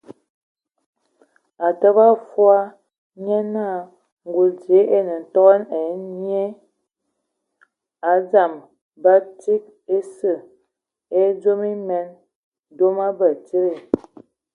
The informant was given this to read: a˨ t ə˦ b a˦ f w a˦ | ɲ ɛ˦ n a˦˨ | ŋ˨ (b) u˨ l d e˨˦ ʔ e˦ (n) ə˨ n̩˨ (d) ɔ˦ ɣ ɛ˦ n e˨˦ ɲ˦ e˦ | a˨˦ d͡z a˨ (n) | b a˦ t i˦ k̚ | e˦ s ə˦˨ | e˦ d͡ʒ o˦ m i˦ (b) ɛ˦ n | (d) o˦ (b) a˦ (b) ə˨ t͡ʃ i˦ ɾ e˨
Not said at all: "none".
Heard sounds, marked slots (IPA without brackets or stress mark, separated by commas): ɡ, n, t, m, m, d, m, b